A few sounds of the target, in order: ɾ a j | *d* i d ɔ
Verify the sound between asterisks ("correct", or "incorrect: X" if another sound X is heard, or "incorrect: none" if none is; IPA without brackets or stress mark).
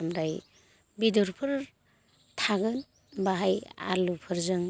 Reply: incorrect: b